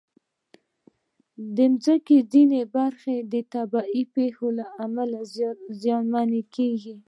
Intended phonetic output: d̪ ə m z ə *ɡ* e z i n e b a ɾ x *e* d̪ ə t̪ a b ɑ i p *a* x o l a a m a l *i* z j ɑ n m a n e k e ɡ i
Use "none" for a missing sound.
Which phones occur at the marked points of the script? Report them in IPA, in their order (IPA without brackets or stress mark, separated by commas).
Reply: k, e, e, a